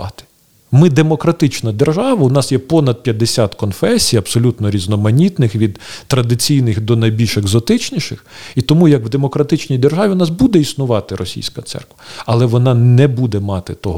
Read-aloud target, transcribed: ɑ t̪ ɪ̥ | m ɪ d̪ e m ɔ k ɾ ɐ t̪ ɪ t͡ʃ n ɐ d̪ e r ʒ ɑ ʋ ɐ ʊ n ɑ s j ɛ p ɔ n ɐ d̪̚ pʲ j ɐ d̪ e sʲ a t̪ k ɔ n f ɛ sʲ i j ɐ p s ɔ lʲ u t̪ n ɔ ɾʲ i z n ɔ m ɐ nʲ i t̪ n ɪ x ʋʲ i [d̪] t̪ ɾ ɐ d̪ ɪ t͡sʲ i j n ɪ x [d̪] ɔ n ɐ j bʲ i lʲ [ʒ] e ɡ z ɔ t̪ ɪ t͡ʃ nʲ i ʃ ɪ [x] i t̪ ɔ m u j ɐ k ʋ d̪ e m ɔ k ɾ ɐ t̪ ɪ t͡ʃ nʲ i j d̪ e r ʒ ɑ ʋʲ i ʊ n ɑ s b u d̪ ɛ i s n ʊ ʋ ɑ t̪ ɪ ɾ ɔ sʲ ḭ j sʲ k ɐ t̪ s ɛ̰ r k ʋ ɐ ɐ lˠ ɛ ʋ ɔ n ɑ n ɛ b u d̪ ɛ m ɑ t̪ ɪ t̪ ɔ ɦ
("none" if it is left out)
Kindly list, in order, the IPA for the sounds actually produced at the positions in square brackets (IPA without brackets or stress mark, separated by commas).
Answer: d̪, d̪, ʃ, x